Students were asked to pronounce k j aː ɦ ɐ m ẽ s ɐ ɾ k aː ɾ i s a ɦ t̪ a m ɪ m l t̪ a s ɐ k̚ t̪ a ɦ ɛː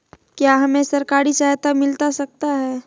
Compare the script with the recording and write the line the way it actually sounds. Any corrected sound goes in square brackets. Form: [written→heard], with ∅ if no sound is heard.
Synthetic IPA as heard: k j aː ɦ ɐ m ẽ s ɐ ɾ k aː ɾ i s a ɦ t̪ a m ɪ [m→∅] l t̪ a s ɐ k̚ t̪ a ɦ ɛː